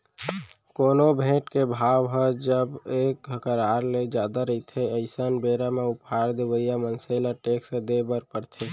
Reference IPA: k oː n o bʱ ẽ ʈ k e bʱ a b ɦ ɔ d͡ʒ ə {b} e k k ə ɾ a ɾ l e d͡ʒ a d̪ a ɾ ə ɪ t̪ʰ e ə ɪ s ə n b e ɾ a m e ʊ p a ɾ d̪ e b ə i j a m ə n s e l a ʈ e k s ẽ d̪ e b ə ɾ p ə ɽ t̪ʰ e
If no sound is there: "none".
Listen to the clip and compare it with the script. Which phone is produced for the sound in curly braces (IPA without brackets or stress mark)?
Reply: b